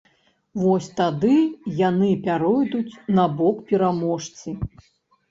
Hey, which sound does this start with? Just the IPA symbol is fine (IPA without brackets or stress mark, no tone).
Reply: v